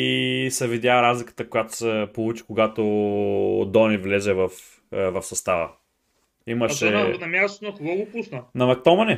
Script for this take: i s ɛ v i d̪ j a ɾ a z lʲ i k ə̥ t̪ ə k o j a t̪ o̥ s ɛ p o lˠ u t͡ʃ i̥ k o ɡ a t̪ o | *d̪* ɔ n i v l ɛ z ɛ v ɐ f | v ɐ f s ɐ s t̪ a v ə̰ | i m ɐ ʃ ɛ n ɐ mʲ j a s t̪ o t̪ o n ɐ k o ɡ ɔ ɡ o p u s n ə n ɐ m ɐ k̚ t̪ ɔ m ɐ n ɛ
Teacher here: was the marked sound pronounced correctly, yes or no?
yes